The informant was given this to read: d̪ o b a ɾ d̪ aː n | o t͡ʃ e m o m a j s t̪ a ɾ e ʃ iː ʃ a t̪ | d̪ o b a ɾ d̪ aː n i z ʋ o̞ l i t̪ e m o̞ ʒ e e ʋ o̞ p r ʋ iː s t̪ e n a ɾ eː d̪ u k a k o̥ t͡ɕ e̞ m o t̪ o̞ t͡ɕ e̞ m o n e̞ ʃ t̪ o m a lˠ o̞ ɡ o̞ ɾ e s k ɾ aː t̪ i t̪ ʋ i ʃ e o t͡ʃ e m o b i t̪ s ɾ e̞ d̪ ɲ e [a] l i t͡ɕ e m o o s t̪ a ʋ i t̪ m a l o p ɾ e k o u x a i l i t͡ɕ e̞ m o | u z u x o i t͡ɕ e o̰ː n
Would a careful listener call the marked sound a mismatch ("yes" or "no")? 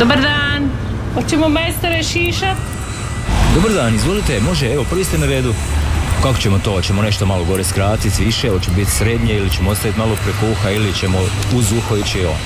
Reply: yes